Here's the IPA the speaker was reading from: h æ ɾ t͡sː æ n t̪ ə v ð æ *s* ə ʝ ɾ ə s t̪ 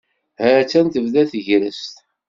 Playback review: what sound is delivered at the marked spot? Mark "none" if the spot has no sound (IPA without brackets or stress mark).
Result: θ